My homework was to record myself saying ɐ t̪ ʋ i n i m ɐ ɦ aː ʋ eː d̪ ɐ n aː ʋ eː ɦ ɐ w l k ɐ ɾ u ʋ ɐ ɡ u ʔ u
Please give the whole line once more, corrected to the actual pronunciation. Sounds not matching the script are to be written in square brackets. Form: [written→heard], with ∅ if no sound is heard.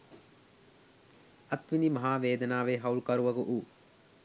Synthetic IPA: ɐ t̪ ʋ i n i m ɐ ɦ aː ʋ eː d̪ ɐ n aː ʋ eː ɦ ɐ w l k ɐ ɾ u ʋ ɐ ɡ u ʔ u